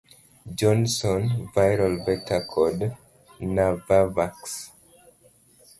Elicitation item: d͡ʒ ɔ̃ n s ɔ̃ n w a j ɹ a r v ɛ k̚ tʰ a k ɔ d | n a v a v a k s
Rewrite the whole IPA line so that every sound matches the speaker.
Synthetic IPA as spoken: d͡ʒ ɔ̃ n s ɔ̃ n v a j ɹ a l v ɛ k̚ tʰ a kʰ ɔ d | n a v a v a k s